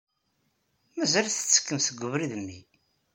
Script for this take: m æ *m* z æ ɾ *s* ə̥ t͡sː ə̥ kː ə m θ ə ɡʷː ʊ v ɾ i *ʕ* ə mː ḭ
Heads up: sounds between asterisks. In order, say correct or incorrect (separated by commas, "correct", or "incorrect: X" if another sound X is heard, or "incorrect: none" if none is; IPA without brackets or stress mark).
incorrect: none, incorrect: θ, incorrect: ð